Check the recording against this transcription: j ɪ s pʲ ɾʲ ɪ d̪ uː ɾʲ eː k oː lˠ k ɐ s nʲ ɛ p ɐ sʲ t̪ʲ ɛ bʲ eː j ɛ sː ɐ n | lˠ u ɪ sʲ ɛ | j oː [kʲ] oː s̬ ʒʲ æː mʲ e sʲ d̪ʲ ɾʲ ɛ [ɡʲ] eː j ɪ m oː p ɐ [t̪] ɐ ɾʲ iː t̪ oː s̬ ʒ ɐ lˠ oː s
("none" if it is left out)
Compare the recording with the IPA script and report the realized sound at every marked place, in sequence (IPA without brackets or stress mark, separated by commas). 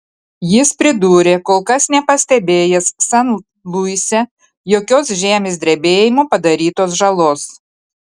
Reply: kʲ, bʲ, d̪